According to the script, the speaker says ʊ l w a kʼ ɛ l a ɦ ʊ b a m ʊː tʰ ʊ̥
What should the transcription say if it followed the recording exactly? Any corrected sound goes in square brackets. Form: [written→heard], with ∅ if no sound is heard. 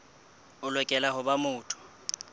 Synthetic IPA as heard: ʊ l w [a→ɛ] kʼ ɛ l a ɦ ʊ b a m ʊː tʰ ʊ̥